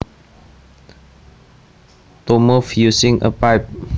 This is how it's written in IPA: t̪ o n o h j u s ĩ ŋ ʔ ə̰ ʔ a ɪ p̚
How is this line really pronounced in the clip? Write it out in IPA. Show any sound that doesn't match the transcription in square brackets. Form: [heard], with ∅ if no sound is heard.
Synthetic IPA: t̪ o [m] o [f] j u s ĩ ŋ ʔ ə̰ [p] a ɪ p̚

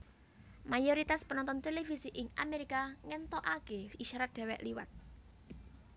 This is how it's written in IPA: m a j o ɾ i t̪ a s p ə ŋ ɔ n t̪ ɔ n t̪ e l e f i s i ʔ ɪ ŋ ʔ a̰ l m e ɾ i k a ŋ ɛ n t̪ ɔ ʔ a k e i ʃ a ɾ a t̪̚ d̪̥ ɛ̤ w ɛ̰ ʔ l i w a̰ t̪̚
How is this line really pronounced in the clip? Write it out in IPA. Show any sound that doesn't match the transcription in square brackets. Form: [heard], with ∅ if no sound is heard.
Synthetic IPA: m a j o ɾ i t̪ a s p ə [n] ɔ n t̪ ɔ n t̪ e l e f i s i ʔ ɪ ŋ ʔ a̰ [∅] m e ɾ i k a ŋ ɛ n t̪ ɔ ʔ a k e i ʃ a ɾ a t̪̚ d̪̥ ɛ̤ w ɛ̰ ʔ l i w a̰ t̪̚

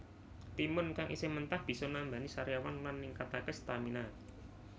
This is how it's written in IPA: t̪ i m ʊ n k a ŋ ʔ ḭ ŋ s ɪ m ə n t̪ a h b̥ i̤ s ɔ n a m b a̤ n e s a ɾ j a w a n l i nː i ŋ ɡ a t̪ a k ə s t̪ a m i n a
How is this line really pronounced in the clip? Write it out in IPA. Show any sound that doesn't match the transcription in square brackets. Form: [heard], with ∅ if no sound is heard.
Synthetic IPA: t̪ i m ʊ n k a ŋ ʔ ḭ [∅] s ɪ m ə n t̪ a h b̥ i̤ s ɔ n a m b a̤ n [i] s a ɾ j a w a n l [a] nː i ŋ [k] a t̪ a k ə s t̪ a m i n a

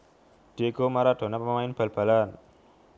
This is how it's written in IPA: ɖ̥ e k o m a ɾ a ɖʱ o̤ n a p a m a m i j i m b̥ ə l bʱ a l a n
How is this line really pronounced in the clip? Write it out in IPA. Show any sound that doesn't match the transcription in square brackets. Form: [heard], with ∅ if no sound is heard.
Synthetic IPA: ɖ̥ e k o m a ɾ a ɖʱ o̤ n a p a m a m [a] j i [n] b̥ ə l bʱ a l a n

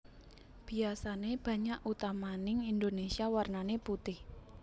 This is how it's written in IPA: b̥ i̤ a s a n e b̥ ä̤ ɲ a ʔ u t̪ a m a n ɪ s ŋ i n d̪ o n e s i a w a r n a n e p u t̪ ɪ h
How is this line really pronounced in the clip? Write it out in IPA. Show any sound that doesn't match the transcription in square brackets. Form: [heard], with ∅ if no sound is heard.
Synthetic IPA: b̥ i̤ a s a n e b̥ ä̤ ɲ a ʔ u t̪ a m a n ɪ [∅] ŋ i n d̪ o n e s i a w a r n a n e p u t̪ ɪ h

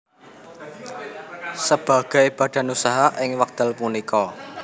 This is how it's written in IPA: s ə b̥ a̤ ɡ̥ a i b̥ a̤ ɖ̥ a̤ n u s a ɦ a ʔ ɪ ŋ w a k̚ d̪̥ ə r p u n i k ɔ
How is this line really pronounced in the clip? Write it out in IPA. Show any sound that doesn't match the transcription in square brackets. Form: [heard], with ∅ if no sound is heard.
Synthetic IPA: s ə b̥ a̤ ɡ̥ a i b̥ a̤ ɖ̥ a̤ n u s a ɦ a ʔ ɪ ŋ w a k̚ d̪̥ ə [l] p u n i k ɔ

